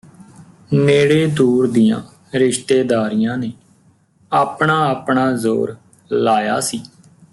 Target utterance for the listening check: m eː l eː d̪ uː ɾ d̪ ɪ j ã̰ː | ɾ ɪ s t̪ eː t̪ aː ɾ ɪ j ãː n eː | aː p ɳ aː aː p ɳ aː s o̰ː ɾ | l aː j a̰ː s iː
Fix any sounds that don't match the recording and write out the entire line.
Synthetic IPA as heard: m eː ɽ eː d̪ uː ɾ d̪ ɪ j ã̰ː | ɾ ɪ ʃ t̪ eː d̪ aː ɾ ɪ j ãː n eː | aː p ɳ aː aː p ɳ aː z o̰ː ɾ | l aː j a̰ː s iː